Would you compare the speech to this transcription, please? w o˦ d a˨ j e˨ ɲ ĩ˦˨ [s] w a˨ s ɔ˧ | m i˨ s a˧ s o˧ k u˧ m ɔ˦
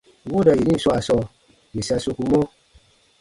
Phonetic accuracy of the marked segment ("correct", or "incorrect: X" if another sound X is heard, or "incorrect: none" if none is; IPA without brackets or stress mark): correct